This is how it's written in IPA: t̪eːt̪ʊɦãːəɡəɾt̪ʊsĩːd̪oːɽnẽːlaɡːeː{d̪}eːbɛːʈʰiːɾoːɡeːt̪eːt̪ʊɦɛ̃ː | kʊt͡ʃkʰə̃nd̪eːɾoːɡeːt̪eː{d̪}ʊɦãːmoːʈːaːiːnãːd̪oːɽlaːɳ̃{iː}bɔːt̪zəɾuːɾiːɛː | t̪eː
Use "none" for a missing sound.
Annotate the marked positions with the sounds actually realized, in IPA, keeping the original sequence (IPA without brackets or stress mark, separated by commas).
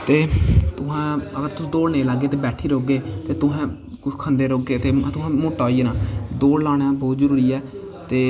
t̪, t̪, aː